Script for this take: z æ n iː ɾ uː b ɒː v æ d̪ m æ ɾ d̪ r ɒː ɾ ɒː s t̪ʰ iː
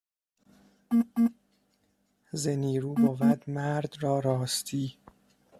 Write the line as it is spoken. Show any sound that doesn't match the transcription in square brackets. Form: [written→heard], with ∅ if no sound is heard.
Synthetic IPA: z [æ→e] n iː ɾ uː b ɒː v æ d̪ m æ ɾ d̪ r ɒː ɾ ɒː s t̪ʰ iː